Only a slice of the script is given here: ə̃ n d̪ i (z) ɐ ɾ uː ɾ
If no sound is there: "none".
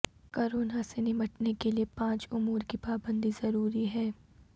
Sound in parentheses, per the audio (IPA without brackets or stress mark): z